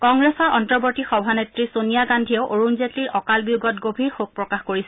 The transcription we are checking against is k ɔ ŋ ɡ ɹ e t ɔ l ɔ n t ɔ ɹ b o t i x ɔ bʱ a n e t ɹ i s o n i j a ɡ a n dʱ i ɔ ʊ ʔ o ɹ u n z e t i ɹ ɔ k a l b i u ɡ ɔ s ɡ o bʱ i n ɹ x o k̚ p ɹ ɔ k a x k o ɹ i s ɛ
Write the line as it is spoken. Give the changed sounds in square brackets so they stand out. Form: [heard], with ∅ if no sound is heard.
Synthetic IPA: k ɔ ŋ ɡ ɹ e [s] ɔ [ɹ] ɔ n t ɔ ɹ b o t i x ɔ bʱ a n e t ɹ i s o n i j a ɡ a n dʱ i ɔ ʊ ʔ o ɹ u n z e t i ɹ ɔ k a l b i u ɡ ɔ [t] ɡ o bʱ i [∅] ɹ x o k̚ p ɹ ɔ k a x k o ɹ i s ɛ